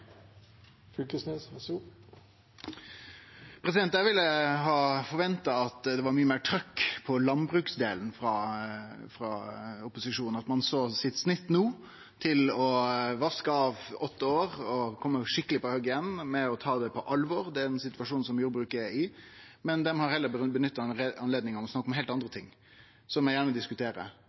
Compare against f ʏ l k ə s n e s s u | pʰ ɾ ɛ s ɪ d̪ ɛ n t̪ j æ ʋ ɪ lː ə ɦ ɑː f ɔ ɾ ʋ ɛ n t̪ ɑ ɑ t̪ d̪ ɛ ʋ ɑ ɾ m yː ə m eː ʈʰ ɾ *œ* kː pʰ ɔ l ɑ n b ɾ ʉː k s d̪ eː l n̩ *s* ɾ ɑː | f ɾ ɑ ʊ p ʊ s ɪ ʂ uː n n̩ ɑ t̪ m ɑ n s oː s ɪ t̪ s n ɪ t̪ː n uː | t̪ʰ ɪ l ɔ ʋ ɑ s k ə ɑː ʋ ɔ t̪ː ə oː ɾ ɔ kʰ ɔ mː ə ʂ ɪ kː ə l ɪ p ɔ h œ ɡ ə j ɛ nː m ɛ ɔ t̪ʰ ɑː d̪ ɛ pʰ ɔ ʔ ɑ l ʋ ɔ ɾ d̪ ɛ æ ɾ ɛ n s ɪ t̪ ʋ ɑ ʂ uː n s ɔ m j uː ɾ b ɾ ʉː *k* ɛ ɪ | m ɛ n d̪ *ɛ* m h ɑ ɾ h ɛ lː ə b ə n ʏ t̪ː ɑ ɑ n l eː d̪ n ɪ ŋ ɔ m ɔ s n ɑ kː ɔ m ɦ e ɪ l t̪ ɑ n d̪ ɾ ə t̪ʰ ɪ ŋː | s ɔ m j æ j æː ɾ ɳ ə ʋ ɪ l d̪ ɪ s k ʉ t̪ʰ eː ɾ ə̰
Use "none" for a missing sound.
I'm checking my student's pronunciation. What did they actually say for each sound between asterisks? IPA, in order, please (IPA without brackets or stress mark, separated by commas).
œ, f, k, ɛ